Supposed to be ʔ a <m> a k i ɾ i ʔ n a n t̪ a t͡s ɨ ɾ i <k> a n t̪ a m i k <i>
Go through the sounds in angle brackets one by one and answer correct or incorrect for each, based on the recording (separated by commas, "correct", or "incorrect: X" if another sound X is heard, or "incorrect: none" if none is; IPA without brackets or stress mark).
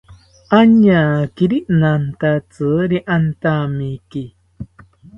incorrect: ɲ, incorrect: ʔ, correct